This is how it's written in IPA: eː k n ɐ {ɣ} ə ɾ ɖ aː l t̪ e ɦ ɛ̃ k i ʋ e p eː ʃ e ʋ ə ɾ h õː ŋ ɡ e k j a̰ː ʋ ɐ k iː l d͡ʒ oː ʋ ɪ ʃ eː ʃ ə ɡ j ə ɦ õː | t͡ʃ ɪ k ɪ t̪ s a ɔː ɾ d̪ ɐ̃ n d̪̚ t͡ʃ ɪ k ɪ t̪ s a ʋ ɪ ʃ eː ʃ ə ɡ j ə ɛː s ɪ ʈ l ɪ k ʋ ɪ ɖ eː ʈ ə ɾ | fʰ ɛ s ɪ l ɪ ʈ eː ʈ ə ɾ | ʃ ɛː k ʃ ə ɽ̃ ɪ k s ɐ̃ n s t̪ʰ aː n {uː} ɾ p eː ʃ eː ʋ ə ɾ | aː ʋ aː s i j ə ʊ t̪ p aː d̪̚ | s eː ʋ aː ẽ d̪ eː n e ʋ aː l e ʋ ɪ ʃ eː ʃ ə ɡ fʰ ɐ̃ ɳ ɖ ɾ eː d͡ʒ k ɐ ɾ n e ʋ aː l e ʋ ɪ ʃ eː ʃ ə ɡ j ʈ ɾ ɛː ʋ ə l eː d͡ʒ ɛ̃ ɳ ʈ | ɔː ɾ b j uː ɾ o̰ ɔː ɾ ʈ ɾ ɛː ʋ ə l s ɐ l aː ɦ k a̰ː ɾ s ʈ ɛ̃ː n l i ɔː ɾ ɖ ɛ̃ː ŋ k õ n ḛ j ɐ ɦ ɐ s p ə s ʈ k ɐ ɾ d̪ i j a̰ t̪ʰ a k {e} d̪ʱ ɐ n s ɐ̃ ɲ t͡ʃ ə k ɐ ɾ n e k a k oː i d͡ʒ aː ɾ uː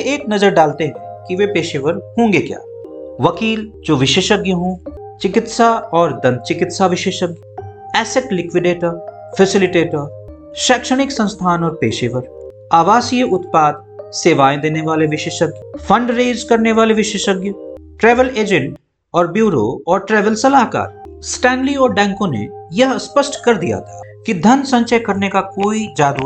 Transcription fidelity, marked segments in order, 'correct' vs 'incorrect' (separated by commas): incorrect, incorrect, incorrect